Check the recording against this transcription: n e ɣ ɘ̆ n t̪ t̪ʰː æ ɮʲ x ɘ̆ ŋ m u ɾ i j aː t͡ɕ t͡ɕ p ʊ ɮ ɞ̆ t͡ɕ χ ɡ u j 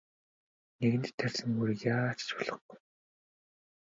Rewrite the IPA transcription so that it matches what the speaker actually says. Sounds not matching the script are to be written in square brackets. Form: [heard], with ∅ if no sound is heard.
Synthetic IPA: n e ɣ ɘ̆ n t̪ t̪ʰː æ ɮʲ [s] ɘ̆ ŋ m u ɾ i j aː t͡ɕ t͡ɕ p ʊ ɮ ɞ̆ [∅] χ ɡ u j